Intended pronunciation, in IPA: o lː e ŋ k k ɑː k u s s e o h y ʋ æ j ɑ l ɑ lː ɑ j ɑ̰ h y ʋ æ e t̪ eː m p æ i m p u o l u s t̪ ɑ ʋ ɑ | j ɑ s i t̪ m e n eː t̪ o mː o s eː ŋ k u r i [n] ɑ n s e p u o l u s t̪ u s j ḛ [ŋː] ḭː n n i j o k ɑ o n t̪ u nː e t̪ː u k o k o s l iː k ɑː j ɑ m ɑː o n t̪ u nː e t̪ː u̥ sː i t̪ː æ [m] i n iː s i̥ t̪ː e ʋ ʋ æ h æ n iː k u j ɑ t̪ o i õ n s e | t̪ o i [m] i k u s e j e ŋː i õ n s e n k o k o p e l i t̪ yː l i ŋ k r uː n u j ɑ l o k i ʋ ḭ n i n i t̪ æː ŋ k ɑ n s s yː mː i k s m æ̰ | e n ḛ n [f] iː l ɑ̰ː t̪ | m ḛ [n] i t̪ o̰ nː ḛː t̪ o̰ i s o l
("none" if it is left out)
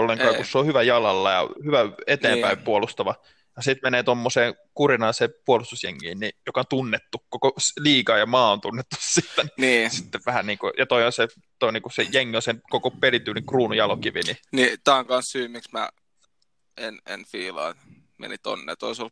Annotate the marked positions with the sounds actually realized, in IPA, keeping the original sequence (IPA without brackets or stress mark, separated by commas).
n, ŋː, n, n, f, n